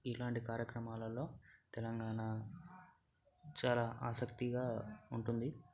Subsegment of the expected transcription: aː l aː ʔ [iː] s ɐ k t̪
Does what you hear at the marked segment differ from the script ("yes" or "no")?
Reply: yes